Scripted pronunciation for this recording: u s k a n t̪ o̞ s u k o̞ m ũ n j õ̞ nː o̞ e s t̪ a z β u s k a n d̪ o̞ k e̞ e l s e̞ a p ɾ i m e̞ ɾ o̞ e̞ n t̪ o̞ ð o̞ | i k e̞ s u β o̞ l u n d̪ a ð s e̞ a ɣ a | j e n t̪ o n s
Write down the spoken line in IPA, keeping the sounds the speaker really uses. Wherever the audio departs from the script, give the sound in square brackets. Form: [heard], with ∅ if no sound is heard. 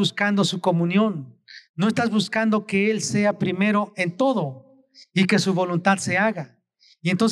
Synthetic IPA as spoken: u s k a n [d̪] o̞ s u k o̞ m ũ n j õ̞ nː o̞ e s t̪ a z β u s k a n d̪ o̞ k e̞ e l s e̞ a p ɾ i m e̞ ɾ o̞ e̞ n t̪ o̞ ð o̞ | i k e̞ s u β o̞ l u n [t̪] a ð s e̞ a ɣ a | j e n t̪ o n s